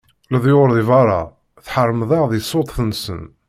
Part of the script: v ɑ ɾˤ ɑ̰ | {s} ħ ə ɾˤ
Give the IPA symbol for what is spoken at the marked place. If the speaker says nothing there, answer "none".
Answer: θ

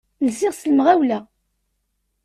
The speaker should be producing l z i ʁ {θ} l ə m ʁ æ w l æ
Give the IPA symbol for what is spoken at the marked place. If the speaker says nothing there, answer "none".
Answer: s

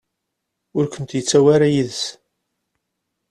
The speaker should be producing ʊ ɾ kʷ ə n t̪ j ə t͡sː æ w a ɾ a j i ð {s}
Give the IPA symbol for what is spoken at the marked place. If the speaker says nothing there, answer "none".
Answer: s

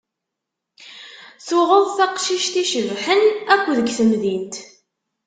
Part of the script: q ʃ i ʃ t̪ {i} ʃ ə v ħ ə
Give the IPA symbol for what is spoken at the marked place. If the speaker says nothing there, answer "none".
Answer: i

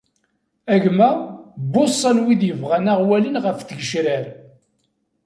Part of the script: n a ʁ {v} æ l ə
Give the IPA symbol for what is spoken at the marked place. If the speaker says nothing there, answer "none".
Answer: w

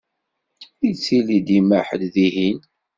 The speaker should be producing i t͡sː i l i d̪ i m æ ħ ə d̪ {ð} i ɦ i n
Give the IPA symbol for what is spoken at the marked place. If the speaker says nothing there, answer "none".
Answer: ð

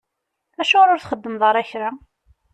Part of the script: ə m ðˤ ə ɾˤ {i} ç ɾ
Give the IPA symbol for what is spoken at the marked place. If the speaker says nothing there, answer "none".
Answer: æ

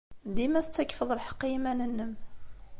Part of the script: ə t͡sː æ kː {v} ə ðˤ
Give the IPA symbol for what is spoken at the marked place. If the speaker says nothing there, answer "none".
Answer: f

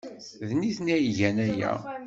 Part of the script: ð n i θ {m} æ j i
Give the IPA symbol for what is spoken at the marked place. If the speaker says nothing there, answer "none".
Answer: n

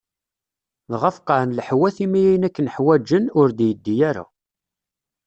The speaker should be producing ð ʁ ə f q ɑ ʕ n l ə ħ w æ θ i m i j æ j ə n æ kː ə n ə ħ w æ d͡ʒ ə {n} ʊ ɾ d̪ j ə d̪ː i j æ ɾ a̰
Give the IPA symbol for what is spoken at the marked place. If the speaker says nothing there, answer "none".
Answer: n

